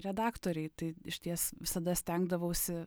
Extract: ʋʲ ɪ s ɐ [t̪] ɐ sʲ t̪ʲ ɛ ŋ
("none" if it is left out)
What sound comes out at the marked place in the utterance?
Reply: d̪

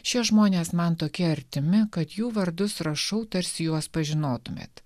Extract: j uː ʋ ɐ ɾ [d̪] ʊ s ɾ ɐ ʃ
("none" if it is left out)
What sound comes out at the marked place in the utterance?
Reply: d̪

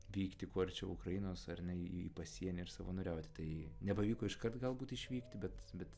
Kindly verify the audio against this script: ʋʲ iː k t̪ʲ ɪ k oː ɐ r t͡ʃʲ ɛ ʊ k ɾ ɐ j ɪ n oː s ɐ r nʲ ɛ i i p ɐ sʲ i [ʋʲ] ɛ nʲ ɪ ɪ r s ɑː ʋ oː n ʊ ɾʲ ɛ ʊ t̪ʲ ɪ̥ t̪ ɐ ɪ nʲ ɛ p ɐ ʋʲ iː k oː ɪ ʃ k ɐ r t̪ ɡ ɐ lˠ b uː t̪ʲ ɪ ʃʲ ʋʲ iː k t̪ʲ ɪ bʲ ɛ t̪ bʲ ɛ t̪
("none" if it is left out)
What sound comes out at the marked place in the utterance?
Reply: none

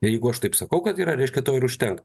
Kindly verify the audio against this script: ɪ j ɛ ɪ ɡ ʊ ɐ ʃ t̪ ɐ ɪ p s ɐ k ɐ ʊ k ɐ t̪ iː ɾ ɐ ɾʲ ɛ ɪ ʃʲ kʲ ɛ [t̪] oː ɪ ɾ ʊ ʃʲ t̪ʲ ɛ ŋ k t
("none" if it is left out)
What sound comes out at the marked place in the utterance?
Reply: t̪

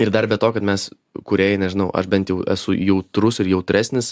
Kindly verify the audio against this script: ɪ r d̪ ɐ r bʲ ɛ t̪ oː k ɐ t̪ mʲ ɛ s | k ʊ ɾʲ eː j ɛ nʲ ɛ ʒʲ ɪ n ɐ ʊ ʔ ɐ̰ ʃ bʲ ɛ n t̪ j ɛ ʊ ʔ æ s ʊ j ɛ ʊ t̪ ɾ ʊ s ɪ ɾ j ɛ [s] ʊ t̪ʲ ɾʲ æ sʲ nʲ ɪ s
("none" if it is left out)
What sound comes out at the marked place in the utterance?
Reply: none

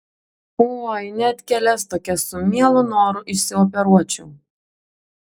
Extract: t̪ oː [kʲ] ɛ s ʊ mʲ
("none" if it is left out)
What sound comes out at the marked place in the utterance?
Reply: kʲ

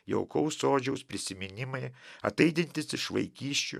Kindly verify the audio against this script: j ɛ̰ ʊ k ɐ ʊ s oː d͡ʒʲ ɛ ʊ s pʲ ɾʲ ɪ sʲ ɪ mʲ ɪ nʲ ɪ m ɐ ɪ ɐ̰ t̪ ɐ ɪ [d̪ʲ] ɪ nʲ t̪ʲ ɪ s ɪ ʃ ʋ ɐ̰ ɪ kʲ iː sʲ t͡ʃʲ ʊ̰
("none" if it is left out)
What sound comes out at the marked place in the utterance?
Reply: d̪ʲ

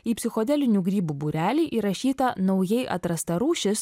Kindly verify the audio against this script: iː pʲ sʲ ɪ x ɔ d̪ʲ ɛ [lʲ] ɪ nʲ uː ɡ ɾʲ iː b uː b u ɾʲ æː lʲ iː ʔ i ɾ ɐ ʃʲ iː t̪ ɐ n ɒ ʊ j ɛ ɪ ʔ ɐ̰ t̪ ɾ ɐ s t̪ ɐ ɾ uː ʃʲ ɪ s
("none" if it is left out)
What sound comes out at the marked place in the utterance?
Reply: lʲ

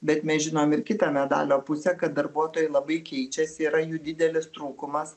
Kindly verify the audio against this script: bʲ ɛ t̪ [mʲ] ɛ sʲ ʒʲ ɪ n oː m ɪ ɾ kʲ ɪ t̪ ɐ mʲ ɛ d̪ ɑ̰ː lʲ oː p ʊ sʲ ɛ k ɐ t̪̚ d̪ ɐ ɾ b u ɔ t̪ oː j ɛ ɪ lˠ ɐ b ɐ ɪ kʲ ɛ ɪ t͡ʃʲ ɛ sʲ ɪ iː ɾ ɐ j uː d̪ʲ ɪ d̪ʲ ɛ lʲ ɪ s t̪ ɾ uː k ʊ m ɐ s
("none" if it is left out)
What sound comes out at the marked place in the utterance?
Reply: mʲ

